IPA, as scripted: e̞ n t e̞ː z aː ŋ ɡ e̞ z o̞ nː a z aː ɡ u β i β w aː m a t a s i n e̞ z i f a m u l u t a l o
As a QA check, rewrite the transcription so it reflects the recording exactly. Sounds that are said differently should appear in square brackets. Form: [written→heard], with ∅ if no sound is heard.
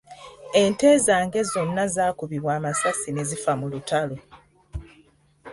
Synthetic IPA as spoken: e̞ n t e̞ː z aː ŋ ɡ e̞ z o̞ nː a z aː [ɡ→k] u β i β w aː m a [t→s] a s i n e̞ z i f a m u l u t a l o